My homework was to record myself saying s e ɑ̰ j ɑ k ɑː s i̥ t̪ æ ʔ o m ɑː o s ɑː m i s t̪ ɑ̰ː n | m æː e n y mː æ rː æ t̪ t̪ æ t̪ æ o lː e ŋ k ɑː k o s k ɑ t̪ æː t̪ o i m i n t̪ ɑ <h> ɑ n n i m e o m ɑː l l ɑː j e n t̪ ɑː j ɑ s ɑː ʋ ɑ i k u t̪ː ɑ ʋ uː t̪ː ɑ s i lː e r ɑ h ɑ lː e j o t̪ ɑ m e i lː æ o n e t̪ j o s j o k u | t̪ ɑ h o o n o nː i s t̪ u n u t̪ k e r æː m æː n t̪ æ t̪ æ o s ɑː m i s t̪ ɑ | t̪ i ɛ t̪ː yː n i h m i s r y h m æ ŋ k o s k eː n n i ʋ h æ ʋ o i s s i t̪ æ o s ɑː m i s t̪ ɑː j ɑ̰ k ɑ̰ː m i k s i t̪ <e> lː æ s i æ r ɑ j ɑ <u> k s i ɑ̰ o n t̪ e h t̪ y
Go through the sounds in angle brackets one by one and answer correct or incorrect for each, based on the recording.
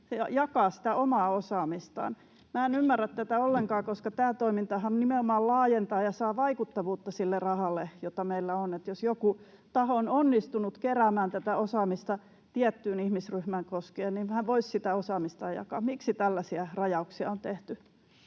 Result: correct, incorrect: æ, correct

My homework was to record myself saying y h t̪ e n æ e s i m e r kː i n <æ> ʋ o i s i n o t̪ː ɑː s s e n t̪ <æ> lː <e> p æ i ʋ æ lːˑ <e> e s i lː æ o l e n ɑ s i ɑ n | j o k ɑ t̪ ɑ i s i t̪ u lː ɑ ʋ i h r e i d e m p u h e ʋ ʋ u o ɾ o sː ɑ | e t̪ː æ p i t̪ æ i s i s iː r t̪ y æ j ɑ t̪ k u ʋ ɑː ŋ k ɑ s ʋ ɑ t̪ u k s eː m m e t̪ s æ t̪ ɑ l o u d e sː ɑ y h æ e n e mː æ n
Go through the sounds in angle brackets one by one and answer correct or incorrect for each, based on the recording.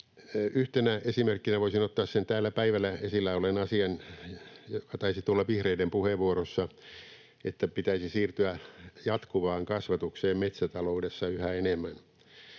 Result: correct, incorrect: æː, incorrect: æ, incorrect: æ

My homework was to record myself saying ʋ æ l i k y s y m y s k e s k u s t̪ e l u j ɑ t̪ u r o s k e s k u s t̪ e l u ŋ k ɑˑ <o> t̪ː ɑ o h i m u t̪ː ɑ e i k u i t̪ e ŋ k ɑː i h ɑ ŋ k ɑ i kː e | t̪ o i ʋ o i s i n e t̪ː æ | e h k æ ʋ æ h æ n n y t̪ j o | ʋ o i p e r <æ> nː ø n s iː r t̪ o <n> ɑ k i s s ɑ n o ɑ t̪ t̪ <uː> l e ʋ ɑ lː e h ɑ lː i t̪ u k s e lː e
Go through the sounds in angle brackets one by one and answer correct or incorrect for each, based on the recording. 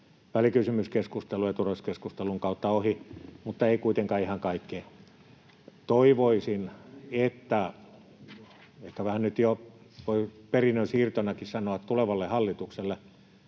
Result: incorrect: u, incorrect: i, correct, incorrect: u

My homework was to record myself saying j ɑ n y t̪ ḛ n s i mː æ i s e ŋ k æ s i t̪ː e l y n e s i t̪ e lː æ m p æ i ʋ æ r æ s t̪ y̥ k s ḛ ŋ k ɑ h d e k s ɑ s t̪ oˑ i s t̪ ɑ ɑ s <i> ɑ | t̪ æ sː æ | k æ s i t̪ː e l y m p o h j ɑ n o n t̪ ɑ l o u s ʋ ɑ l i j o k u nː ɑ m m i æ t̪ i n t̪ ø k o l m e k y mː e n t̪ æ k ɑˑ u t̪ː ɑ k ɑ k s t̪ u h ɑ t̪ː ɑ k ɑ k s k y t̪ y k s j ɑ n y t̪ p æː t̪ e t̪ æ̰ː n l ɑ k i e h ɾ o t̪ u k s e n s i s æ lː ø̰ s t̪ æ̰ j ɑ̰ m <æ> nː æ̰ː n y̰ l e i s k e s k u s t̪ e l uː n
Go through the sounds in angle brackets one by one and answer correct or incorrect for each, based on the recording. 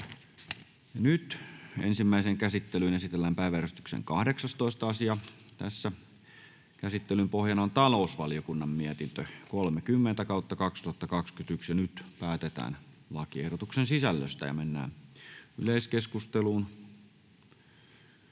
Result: correct, incorrect: e

